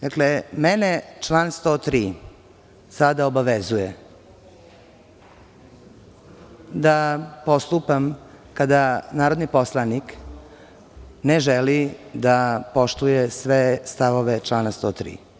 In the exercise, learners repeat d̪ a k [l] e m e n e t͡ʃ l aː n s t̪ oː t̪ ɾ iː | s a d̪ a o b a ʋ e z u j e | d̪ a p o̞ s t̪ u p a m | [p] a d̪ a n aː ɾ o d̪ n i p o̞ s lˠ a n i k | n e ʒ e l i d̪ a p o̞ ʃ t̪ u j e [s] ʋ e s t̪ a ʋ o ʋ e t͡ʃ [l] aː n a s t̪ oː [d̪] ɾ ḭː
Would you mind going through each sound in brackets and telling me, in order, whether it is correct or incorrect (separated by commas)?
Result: correct, incorrect, correct, correct, incorrect